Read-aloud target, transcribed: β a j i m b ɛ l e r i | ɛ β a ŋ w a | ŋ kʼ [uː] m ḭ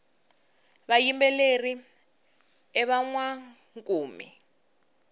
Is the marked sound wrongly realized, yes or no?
no